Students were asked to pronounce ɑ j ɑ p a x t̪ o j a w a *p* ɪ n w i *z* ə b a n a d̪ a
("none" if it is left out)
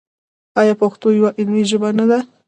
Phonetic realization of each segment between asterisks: ʔ, ʒ

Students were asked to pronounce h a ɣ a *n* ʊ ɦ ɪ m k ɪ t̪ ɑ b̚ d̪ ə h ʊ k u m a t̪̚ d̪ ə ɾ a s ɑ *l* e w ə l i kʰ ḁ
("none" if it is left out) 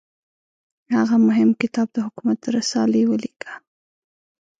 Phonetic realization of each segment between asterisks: m, l

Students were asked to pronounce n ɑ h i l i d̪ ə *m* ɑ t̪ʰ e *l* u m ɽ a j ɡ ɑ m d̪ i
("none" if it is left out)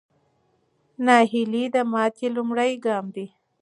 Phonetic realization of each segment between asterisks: m, l

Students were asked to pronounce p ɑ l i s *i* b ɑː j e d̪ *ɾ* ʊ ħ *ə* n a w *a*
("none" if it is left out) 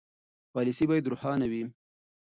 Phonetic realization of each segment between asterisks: i, ɾ, ɑ, i

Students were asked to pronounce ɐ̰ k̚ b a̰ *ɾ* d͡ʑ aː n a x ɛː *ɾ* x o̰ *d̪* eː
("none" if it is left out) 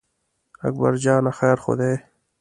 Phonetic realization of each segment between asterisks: ɾ, ɾ, d̪

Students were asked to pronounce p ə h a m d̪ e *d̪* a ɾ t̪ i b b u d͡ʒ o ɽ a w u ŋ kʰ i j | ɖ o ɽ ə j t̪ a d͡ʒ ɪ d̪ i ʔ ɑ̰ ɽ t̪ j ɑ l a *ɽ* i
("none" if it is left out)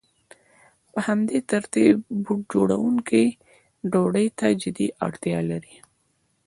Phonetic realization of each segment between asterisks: t̪, ɾ

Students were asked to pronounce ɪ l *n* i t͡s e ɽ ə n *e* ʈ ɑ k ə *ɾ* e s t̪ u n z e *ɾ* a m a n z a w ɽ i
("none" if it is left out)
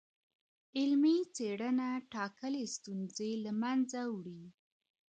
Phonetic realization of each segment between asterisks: m, a, l, l

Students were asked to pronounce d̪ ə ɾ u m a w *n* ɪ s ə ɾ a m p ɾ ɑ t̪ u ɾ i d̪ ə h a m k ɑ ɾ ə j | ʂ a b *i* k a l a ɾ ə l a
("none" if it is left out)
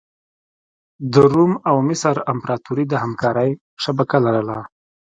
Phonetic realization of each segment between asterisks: m, a

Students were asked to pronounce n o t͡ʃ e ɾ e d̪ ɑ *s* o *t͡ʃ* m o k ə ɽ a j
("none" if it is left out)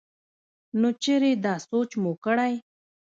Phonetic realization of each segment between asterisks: s, t͡ʃ

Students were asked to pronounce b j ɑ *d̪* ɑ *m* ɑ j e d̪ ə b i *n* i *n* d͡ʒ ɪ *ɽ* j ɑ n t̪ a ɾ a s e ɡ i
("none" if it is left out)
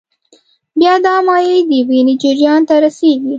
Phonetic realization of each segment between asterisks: d̪, m, n, none, ɾ

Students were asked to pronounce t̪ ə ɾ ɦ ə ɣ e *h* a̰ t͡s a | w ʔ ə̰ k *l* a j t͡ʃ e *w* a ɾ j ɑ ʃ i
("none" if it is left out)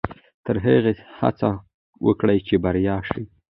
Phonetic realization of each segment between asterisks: h, ɽ, b

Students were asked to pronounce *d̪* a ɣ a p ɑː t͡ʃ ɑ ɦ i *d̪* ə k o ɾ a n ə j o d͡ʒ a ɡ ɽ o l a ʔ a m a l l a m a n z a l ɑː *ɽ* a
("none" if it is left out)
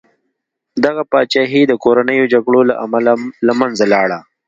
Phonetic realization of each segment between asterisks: d̪, d̪, ɽ

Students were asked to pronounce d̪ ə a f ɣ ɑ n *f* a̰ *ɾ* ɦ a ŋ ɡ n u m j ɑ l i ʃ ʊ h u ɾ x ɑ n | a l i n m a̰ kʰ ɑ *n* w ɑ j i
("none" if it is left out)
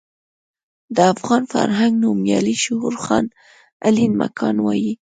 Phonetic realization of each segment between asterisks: f, ɾ, n

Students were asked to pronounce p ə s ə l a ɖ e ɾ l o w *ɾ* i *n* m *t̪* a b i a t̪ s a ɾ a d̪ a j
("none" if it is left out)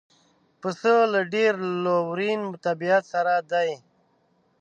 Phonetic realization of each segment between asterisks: ɾ, n, t̪

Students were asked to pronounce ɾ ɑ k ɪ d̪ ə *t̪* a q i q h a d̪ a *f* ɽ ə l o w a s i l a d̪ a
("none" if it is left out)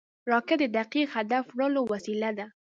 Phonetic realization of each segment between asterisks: d̪, f

